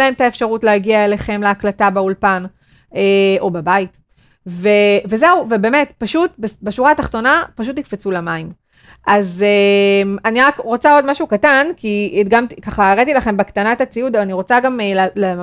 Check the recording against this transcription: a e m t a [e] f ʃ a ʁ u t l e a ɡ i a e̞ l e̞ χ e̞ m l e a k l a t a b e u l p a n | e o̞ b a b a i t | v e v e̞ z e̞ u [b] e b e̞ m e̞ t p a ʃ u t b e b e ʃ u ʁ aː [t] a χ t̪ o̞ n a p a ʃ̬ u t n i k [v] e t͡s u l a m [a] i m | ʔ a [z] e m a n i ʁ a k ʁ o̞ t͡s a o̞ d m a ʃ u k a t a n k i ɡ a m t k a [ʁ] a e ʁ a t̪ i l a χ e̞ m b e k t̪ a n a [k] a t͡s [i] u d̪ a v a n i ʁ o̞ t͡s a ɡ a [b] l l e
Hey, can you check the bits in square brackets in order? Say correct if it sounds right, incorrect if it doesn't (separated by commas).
correct, incorrect, correct, incorrect, correct, correct, incorrect, incorrect, correct, incorrect